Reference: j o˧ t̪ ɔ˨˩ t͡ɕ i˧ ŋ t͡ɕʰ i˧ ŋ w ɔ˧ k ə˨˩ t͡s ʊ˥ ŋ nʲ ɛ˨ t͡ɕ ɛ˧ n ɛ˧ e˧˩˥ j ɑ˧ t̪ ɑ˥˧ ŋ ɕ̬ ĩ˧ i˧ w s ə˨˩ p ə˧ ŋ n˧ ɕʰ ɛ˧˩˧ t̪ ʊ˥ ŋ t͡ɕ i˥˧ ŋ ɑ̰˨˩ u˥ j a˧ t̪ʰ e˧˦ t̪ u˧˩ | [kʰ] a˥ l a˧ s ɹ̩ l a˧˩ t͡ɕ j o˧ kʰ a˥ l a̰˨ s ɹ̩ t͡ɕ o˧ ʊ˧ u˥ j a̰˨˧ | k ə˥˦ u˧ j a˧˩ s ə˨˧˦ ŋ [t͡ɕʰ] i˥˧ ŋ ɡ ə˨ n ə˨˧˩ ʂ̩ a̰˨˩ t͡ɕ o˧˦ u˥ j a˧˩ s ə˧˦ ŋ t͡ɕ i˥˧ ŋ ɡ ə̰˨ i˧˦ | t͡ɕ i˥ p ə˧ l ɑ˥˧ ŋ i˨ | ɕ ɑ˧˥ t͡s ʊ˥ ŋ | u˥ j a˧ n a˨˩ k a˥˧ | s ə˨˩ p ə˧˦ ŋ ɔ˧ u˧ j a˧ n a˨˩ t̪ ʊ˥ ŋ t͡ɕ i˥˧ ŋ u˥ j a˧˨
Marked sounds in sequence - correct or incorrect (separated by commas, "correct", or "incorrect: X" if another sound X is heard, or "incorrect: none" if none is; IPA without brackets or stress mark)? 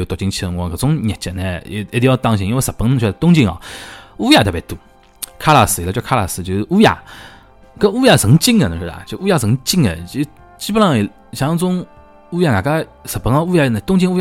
correct, incorrect: t͡ɕ